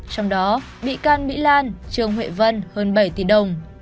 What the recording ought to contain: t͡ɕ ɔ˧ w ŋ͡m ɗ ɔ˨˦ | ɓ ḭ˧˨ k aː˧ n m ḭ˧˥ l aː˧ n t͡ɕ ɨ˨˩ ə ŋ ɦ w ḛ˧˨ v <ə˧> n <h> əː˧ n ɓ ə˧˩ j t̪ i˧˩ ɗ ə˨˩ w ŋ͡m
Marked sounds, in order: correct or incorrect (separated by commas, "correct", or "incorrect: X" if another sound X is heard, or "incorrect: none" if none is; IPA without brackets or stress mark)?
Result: correct, correct